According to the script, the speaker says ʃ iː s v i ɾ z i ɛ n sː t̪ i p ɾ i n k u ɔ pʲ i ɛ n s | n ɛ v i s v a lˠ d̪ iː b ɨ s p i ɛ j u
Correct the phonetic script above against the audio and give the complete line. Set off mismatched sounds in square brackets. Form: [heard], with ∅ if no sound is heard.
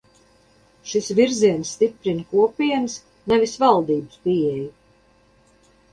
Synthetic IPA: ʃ [i] s v i ɾ z i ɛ n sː t̪ i p ɾ i n k u ɔ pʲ i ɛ n s | n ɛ v i s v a lˠ d̪ iː b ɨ s p i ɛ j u